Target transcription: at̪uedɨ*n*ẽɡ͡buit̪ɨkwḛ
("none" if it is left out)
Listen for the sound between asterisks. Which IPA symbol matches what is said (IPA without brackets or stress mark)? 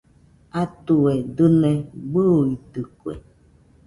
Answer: n